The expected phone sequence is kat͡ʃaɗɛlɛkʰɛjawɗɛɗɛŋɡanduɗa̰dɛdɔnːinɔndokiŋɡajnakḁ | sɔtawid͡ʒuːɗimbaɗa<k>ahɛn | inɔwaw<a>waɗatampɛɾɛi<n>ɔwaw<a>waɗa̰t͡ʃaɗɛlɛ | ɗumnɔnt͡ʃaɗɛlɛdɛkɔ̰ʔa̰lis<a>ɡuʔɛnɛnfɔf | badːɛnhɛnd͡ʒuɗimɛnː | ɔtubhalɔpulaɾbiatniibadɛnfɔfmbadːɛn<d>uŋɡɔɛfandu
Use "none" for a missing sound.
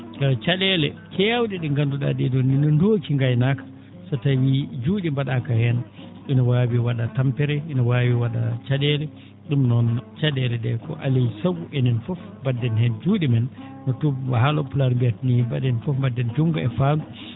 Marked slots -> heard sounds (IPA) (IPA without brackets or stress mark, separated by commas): k, i, n, i, a, d͡ʒ